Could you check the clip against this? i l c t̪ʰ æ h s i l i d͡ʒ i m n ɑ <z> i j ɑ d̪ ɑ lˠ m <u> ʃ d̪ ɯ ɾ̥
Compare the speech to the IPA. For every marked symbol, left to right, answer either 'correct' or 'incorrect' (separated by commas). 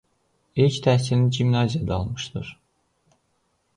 correct, incorrect